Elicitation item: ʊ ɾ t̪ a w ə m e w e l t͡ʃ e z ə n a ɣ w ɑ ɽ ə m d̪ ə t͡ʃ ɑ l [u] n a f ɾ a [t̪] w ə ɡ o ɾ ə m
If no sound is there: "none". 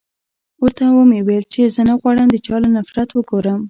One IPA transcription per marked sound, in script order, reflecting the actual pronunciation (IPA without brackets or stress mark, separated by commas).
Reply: o, t̪